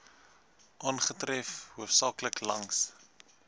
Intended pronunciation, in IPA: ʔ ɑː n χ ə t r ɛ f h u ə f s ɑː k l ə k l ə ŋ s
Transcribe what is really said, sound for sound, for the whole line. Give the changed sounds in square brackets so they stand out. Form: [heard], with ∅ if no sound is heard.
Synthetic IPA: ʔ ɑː n χ ə t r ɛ f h u ə f s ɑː k l ə k l [ɐ] ŋ s